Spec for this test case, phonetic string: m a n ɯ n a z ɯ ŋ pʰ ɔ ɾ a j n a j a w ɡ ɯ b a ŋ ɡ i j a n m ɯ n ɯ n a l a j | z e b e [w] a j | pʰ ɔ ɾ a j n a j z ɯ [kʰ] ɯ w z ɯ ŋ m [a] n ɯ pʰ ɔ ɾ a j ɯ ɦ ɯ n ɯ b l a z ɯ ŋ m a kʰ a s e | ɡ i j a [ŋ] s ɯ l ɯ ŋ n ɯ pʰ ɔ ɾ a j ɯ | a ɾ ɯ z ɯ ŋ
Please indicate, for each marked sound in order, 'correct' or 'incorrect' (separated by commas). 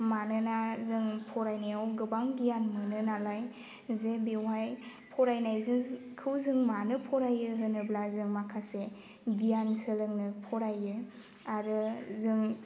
correct, correct, correct, incorrect